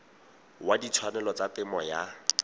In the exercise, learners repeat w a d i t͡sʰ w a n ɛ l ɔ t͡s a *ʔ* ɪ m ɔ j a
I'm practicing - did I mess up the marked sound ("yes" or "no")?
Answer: yes